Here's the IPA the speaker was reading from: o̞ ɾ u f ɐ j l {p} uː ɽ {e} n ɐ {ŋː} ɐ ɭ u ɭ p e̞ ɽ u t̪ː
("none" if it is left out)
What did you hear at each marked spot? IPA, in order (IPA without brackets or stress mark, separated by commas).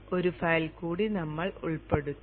k, i, mː